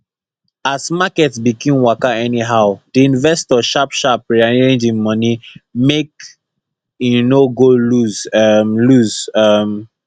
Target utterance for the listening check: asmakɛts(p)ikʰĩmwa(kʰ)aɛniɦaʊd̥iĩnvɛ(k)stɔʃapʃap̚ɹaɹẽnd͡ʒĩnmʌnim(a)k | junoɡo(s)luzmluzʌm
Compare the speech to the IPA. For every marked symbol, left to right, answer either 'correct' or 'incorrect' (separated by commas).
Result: incorrect, incorrect, incorrect, incorrect, incorrect